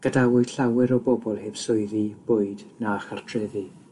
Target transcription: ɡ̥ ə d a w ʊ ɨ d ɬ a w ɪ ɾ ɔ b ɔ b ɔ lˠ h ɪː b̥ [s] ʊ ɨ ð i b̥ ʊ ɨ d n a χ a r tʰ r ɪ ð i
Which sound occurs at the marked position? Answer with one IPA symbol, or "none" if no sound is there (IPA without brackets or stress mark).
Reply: s